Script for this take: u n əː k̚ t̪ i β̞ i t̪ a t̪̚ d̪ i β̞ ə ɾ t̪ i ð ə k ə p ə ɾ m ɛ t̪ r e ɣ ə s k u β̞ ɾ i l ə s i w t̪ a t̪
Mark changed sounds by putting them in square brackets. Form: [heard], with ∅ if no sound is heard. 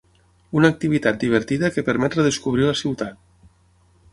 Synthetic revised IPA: u n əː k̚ t̪ i β̞ i t̪ a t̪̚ d̪ i β̞ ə ɾ t̪ i ð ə k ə p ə ɾ m ɛ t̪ r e [ð] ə s k u β̞ ɾ i l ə s i w t̪ a t̪